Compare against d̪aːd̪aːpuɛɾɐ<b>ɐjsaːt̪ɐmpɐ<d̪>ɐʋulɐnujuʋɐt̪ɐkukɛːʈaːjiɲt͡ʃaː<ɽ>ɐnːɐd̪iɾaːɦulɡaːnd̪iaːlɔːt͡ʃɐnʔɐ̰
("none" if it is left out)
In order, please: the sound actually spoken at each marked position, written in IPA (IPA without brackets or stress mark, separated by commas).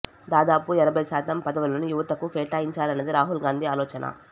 b, d̪, l